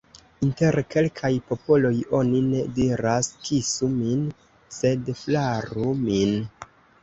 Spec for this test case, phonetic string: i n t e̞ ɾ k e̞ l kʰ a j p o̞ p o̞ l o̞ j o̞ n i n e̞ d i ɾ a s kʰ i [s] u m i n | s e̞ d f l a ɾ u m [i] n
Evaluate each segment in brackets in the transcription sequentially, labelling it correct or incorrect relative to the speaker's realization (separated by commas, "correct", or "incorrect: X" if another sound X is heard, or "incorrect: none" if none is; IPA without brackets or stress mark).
correct, correct